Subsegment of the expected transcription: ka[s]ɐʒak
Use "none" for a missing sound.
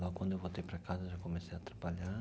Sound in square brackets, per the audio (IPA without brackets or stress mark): z